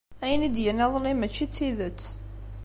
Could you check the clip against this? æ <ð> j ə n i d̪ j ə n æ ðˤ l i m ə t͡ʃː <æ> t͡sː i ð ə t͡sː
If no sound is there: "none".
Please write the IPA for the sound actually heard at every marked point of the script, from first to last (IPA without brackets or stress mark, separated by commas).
none, i